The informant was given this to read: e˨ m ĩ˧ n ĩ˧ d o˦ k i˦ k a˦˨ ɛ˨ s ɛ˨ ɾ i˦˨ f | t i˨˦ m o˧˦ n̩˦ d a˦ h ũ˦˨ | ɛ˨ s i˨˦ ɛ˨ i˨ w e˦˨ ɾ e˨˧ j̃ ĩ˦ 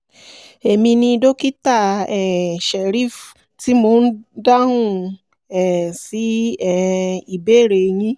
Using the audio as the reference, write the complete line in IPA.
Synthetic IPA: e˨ m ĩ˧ n ĩ˧ d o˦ k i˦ t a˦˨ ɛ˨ ʃ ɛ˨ ɾ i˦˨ f | t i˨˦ m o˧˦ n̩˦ d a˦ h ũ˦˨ | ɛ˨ s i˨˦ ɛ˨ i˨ b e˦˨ ɾ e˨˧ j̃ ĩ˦